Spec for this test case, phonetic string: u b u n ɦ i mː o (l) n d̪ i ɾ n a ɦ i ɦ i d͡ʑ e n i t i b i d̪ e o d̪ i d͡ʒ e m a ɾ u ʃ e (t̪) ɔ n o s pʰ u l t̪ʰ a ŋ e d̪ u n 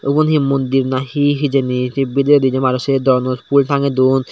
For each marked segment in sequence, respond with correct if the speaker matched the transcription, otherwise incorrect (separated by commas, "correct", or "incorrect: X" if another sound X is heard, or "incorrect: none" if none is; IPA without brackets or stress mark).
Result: incorrect: none, incorrect: d̪